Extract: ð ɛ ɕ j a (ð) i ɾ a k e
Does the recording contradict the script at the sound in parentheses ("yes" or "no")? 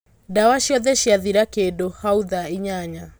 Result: no